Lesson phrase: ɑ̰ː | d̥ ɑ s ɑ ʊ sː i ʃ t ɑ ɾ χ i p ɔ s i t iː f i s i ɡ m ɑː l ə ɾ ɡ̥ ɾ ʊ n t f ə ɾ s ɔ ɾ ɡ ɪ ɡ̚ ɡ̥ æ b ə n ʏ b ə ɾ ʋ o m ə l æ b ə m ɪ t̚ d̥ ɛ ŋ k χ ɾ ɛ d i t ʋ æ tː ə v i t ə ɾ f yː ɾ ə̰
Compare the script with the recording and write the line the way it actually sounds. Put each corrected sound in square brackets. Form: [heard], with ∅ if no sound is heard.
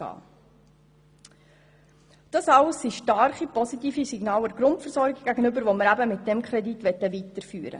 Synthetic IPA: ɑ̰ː | d̥ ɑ s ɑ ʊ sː i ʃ t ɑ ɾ χ i p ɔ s i t iː f i s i ɡ [n] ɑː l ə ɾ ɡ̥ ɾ ʊ n t f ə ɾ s ɔ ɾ ɡ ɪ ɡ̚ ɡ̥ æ [ɡ] ə n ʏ b ə ɾ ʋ o m ə [ɾ] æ b ə m ɪ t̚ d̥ ɛ [m] k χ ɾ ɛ d i t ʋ [ɛ] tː ə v i t ə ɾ f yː ɾ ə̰

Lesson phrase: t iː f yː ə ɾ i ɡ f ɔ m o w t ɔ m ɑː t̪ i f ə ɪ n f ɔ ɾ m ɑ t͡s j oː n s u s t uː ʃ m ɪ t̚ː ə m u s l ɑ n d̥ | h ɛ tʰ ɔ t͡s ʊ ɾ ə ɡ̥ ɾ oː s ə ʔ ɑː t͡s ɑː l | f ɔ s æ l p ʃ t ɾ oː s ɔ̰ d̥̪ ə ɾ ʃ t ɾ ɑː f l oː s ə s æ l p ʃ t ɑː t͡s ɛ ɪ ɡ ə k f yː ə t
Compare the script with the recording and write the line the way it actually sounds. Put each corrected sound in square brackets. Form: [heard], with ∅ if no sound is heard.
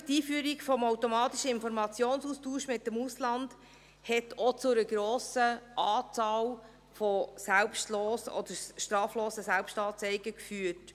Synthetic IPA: t iː f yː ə ɾ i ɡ f ɔ m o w t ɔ m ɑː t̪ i [ʃ] ə ɪ n f ɔ ɾ m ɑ t͡s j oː n s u s t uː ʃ m ɪ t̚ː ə m u s l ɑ n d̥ | h ɛ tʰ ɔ t͡s ʊ ɾ ə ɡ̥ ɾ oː s ə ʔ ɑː t͡s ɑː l | f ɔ s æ l p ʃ t [l] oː s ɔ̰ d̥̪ ə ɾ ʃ t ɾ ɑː f l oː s ə s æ l p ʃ t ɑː t͡s ɛ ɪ ɡ ə k f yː ə t

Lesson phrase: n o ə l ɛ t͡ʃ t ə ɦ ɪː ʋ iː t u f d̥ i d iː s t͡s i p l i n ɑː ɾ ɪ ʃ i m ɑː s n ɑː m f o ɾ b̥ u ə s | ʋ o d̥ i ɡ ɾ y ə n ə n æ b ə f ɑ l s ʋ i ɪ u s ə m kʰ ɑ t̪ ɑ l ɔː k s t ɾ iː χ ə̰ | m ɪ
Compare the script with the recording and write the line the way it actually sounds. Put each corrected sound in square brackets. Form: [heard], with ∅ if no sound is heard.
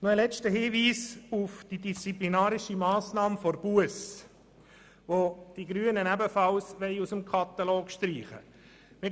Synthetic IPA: n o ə l ɛ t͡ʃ t ə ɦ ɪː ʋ iː [s] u f d̥ i d [i] s t͡s i p l i n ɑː ɾ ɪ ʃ i m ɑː s n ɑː m f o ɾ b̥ u ə s | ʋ o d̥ i ɡ ɾ y ə n ə n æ b ə f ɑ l s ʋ [ɛ] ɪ u s ə m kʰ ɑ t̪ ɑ l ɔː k [ʃ] t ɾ iː χ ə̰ | m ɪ

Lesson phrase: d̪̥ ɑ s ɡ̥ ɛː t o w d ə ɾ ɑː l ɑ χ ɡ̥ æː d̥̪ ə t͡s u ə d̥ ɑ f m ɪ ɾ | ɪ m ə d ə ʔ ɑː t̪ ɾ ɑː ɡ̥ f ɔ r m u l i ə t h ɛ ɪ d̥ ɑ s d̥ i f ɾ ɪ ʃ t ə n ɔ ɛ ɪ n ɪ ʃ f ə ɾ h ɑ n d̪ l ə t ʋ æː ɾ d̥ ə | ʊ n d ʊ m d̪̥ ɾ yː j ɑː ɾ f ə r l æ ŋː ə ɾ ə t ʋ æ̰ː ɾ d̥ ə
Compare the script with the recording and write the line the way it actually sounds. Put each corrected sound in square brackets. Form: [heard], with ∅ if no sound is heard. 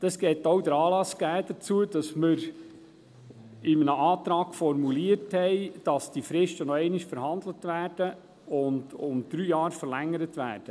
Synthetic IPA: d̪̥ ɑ s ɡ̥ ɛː t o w d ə ɾ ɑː l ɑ [s] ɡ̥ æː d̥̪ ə t͡s u ə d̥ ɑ [s] m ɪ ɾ | ɪ m ə [n] ə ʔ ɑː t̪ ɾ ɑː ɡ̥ f ɔ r m u l i ə t h ɛ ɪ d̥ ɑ s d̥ i f ɾ ɪ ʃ t ə n ɔ ɛ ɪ n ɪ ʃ f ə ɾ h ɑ n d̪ l ə t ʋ æː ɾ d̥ ə | ʊ n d ʊ m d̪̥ ɾ yː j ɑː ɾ f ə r l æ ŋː ə ɾ ə t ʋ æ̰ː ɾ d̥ ə

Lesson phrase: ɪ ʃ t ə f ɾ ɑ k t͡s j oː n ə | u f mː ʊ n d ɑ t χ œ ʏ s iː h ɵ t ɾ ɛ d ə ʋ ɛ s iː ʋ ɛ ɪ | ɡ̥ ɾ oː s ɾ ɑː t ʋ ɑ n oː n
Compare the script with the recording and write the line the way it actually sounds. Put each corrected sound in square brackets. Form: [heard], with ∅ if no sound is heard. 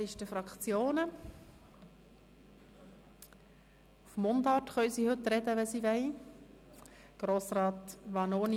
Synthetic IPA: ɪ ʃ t ə f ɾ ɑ k t͡s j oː n ə | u f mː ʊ n d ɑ t χ œ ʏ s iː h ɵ t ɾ ɛ d ə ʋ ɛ s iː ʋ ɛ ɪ | ɡ̥ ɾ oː s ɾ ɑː t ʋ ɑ n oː n

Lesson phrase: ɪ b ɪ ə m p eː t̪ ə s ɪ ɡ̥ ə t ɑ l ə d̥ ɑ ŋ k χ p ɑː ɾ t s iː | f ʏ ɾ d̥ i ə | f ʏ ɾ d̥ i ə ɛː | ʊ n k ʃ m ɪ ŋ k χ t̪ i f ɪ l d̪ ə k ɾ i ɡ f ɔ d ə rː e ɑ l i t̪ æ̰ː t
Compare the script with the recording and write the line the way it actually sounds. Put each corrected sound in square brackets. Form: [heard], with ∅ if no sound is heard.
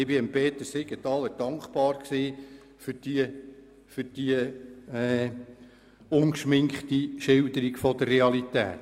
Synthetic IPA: ɪ b ɪ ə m p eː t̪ ə s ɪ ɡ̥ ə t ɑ l ə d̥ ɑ ŋ k χ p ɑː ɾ [k] s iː | f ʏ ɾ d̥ i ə | f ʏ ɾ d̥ i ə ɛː | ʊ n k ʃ m ɪ ŋ k χ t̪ i [ʃ] ɪ l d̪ ə [∅] ɾ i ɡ f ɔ d ə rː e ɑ l i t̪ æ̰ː t

